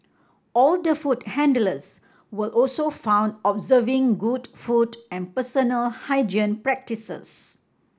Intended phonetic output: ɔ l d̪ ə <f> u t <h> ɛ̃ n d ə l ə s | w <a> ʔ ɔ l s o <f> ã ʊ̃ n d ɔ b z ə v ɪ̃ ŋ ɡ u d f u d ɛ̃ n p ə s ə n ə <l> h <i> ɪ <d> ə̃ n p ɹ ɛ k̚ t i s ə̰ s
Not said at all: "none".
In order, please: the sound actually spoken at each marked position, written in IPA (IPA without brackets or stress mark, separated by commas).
f, h, ə, f, l, a, d͡ʒ